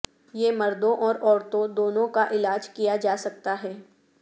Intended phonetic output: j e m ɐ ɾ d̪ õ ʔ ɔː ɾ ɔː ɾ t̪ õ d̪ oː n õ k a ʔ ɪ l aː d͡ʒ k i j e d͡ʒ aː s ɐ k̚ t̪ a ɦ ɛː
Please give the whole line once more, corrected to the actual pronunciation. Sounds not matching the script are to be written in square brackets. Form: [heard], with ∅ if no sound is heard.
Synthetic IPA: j e m ɐ ɾ d̪ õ ʔ ɔː ɾ ɔː ɾ t̪ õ d̪ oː n õ k a ʔ ɪ l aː d͡ʒ k i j [a] d͡ʒ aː s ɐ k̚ t̪ a ɦ ɛː